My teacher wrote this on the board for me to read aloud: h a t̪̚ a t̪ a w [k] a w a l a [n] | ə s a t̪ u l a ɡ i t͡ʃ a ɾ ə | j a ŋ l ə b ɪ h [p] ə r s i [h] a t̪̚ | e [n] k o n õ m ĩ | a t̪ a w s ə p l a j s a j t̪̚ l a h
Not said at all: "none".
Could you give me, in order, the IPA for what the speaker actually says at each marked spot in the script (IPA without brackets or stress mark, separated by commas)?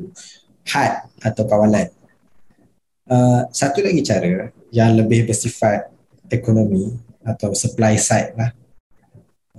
k, n, b, f, none